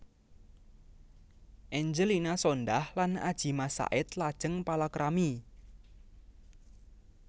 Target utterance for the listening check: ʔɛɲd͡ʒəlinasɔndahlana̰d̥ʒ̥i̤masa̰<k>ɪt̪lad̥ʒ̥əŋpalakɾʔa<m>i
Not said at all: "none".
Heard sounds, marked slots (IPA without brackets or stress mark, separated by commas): ʔ, m